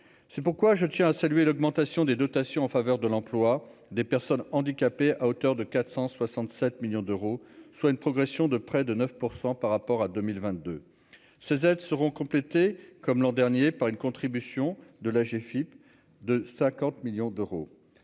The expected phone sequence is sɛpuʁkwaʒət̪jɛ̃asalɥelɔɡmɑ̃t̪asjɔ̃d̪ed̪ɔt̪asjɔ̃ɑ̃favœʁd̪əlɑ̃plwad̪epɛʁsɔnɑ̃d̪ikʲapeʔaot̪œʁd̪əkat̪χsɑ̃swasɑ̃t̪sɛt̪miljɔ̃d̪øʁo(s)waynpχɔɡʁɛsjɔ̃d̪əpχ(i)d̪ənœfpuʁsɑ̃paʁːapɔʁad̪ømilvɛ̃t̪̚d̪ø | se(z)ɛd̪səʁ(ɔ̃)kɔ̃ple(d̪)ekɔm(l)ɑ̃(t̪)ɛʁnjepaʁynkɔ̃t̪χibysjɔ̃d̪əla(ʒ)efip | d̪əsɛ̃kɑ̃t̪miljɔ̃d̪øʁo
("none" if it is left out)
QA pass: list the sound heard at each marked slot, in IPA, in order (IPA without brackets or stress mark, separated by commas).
s, ɛ, z, ɔ̃, t̪, l, d̪, ʒ